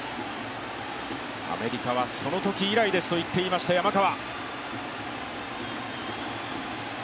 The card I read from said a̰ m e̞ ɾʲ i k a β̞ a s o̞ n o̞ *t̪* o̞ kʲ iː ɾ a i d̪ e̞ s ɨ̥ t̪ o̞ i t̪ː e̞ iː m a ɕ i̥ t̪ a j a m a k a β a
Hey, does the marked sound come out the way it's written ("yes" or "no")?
yes